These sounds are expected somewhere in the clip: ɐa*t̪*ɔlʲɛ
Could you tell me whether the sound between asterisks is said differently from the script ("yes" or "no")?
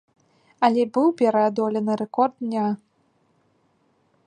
yes